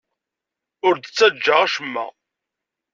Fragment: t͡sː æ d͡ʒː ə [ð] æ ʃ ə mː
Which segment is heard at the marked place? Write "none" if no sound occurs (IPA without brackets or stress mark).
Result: ʁ